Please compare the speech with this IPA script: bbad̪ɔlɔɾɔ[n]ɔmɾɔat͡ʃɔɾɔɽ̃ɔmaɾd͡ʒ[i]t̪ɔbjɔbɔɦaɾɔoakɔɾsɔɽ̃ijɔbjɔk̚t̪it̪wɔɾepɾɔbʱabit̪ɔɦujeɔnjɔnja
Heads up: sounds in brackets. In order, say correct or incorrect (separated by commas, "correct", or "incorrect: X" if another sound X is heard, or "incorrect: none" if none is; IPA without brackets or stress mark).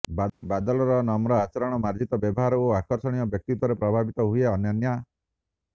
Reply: correct, correct